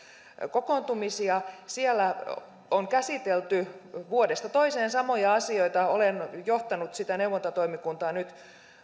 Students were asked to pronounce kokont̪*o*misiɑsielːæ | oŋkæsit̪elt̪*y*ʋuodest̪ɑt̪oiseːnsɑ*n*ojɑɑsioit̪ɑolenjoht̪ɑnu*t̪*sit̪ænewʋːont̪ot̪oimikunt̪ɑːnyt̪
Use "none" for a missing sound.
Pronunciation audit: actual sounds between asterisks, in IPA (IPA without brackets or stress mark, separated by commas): u, y, m, t̪